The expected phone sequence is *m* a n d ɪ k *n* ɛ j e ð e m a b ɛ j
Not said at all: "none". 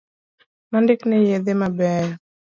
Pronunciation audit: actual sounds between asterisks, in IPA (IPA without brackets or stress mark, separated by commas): m, n